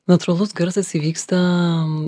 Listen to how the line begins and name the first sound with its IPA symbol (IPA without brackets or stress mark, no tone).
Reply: n